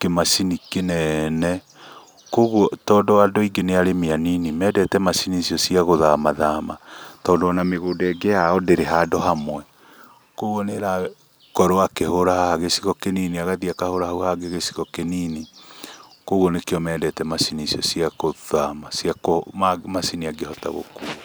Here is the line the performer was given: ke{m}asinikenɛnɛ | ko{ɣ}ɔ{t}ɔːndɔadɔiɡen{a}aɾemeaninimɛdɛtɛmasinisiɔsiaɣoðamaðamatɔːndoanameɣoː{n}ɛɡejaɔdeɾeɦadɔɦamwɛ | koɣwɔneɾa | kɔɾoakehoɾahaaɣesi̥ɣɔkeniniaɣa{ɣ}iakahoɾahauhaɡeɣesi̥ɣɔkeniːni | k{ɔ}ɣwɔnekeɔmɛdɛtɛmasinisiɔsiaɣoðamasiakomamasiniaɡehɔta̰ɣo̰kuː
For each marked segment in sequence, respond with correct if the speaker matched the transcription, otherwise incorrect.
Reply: correct, correct, correct, incorrect, incorrect, incorrect, incorrect

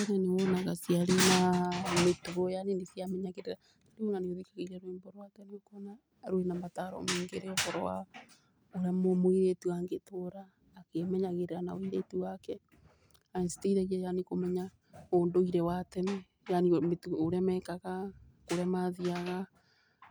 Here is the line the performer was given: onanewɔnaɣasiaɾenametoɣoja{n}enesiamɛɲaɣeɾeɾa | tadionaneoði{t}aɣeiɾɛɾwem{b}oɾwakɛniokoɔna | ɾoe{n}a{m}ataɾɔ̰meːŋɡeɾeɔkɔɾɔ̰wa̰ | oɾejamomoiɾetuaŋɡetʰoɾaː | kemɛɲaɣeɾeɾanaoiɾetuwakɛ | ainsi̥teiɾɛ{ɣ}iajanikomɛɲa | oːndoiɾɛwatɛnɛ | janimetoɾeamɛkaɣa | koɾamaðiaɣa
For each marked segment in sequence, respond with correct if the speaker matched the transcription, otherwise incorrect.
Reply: correct, incorrect, correct, correct, correct, correct

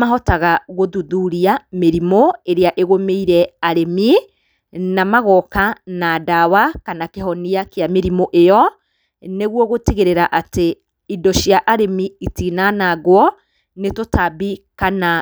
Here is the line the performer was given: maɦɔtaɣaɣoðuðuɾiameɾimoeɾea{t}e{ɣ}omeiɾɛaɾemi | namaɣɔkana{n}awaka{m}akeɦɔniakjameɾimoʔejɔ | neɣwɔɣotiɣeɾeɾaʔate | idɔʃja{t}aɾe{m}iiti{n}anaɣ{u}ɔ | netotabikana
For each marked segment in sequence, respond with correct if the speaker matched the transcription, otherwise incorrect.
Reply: incorrect, correct, incorrect, incorrect, incorrect, correct, correct, incorrect

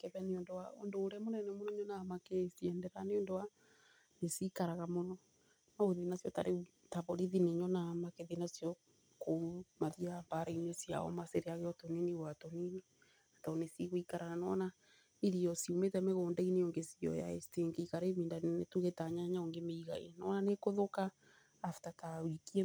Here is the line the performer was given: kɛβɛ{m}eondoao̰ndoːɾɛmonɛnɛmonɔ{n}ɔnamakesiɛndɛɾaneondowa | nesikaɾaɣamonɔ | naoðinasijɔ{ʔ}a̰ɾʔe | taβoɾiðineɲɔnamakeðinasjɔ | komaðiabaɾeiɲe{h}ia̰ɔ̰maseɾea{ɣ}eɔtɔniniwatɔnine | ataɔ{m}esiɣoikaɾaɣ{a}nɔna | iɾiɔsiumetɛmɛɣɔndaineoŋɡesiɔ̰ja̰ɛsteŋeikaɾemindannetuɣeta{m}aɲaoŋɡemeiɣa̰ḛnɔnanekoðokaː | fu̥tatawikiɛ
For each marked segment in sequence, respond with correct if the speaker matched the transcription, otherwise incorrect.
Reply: incorrect, incorrect, incorrect, incorrect, correct, incorrect, correct, incorrect

